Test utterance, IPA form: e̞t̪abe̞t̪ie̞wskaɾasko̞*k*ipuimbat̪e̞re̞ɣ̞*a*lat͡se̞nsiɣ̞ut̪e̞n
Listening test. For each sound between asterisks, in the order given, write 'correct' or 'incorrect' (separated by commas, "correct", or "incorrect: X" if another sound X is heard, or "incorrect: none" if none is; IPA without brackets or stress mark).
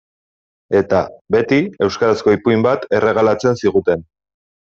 incorrect: none, correct